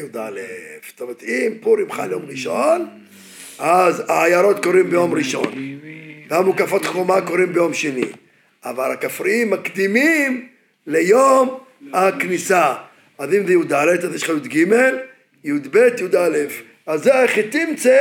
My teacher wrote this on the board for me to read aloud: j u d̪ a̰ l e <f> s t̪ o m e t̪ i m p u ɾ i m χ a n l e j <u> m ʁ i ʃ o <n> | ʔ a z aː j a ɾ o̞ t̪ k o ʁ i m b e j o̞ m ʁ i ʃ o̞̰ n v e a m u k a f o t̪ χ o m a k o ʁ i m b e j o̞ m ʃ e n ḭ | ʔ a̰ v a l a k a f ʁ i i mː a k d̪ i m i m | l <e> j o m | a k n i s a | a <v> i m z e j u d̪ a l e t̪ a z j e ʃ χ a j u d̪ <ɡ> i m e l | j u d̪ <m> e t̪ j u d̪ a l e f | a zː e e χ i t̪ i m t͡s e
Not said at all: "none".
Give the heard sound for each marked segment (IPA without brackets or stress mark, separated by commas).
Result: f, o, n, e, z, ɡ, b